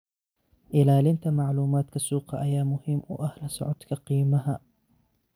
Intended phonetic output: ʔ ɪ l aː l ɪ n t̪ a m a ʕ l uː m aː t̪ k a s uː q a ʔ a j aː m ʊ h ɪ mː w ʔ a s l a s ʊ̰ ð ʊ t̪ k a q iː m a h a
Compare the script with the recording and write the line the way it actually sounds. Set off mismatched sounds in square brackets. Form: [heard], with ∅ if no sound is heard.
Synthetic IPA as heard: ʔ ɪ l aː l ɪ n t̪ a m a ʕ l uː m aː t̪ k a s uː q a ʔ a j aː m ʊ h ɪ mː w ʔ a [h] l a s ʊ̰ [ʕ] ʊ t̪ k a q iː m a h a